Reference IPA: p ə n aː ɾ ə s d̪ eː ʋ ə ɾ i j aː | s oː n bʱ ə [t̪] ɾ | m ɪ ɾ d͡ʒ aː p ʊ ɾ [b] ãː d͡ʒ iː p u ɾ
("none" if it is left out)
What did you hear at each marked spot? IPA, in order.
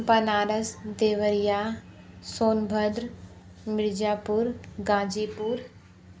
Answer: d̪, ɡ

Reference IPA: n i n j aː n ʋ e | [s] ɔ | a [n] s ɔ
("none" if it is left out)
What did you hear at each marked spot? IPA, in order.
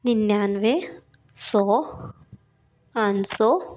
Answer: s, n

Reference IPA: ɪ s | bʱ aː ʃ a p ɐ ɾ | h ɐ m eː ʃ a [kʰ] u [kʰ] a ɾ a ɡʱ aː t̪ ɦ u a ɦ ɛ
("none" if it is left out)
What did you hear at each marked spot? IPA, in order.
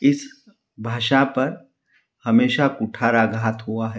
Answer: k, ʈʰ

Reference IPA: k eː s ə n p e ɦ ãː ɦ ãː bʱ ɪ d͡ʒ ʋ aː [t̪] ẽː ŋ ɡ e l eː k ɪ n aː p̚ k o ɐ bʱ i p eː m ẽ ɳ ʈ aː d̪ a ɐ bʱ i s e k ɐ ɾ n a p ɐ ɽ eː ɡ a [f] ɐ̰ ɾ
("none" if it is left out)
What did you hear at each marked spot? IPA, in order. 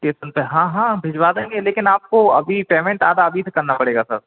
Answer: d̪, s

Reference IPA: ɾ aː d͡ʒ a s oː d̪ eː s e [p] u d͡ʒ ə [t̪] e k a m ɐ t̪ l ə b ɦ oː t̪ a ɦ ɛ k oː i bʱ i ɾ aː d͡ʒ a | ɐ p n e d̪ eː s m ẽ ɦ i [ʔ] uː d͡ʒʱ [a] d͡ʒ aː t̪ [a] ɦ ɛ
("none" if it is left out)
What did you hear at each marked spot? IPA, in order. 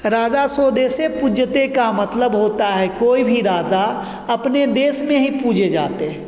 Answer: p, t̪, p, e, e

